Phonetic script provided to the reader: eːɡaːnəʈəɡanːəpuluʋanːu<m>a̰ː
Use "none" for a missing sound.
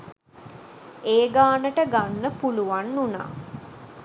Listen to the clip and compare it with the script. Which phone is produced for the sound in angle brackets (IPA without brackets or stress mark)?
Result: n